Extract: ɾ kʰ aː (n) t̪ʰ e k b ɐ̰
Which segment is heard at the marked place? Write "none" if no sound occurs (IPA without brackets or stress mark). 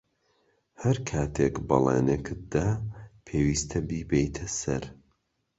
none